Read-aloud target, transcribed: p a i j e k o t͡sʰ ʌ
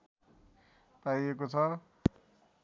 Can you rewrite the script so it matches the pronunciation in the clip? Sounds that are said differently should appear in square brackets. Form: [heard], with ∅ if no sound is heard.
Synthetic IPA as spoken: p a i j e k o t͡sʰ ʌ